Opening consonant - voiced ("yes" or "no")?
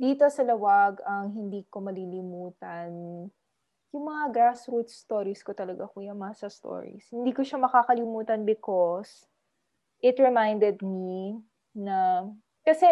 yes